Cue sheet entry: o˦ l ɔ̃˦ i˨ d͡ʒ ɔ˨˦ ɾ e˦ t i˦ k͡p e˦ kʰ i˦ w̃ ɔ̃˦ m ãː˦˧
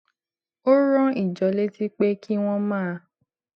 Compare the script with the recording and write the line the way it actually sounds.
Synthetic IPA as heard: o˦ ɾ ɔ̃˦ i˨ d͡ʒ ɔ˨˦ l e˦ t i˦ k͡p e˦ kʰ i˦ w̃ ɔ̃˦ m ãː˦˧